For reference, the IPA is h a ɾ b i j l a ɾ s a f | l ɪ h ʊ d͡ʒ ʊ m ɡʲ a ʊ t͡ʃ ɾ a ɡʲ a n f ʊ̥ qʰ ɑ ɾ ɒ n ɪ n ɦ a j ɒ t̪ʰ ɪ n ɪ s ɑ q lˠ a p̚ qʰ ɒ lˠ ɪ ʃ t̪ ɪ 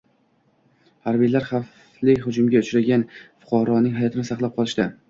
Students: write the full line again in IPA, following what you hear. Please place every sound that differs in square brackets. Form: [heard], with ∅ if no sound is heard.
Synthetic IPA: h a ɾ b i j l a ɾ [χ] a f | l ɪ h ʊ d͡ʒ ʊ m ɡʲ a ʊ t͡ʃ ɾ a ɡʲ a n f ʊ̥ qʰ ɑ ɾ ɒ n ɪ [ŋ] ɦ a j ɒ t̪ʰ ɪ n ɪ s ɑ q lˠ a p̚ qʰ ɒ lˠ ɪ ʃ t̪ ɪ